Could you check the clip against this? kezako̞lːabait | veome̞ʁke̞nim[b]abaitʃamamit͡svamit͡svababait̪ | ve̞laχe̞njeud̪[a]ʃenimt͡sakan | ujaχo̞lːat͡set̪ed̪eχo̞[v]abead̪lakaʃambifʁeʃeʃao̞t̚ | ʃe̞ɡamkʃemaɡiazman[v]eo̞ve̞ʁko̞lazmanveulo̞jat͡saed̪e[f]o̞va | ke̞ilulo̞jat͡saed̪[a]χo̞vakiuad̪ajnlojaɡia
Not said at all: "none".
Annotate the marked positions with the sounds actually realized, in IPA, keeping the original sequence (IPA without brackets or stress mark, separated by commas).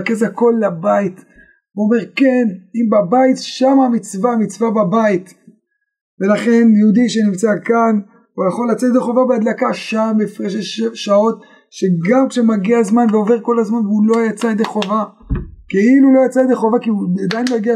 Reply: b, i, v, v, χ, e